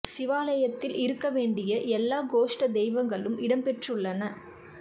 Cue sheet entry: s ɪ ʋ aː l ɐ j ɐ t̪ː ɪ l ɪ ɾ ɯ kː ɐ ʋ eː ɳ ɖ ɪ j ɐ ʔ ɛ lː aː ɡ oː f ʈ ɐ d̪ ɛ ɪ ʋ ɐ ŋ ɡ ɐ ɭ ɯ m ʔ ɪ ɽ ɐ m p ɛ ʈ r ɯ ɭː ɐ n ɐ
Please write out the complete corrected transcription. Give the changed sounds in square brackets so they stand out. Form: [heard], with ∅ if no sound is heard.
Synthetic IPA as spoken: s ɪ ʋ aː l ɐ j ɐ t̪ː ɪ l ɪ ɾ ɯ kː ɐ ʋ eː ɳ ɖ ɪ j ɐ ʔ ɛ lː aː ɡ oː [ʂ] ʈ ɐ d̪ ɛ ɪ ʋ ɐ ŋ ɡ ɐ ɭ ɯ m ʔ ɪ ɽ ɐ m p ɛ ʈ r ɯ ɭː ɐ n ɐ